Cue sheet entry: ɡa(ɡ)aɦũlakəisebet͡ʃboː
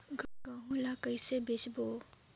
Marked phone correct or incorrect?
correct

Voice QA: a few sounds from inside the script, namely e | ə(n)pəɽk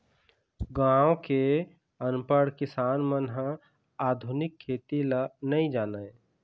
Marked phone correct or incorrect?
correct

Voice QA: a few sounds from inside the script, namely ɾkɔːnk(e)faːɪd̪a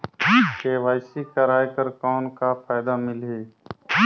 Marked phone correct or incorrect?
incorrect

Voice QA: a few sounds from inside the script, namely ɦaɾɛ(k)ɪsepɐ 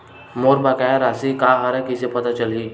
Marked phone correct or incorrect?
correct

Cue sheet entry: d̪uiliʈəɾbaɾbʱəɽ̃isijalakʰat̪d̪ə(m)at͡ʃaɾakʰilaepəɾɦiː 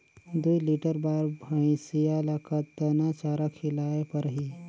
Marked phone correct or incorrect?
incorrect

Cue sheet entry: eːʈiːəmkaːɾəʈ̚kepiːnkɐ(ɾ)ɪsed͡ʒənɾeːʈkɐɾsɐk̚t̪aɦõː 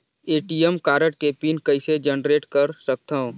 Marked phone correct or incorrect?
incorrect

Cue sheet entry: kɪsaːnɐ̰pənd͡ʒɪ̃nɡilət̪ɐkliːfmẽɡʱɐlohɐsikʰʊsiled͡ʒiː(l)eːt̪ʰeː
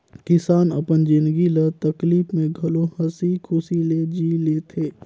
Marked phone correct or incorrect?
correct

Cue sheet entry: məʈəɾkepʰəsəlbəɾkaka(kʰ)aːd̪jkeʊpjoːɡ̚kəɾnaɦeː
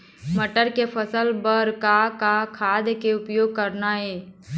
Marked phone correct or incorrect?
correct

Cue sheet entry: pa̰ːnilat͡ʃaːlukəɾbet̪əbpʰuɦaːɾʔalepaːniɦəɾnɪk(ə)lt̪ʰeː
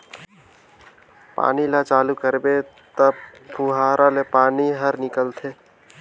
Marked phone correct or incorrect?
correct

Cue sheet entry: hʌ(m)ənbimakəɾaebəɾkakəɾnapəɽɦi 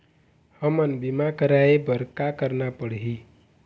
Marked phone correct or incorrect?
correct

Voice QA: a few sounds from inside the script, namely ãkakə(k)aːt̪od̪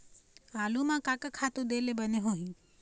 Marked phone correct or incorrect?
incorrect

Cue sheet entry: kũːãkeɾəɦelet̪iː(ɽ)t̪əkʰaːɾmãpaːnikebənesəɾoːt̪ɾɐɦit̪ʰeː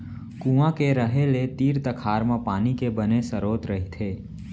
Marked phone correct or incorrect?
incorrect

